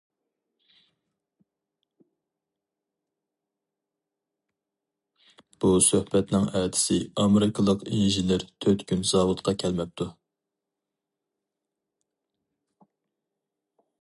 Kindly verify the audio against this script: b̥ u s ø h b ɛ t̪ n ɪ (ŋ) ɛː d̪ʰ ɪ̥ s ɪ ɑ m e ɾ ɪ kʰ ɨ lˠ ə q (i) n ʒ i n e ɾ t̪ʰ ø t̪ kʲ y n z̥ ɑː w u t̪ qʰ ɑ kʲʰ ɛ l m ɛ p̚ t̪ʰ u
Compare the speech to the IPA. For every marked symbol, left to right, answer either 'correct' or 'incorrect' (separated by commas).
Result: correct, correct